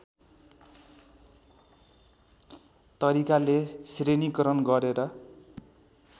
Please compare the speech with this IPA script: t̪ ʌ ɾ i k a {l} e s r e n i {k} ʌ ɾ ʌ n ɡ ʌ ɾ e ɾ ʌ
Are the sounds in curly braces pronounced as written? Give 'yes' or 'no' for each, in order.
yes, yes

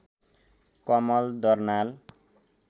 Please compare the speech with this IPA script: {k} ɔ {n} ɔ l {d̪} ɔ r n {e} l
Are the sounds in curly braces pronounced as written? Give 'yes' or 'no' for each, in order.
yes, no, yes, no

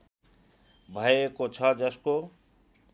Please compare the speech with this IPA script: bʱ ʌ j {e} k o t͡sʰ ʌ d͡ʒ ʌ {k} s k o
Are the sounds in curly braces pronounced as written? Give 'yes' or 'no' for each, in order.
yes, no

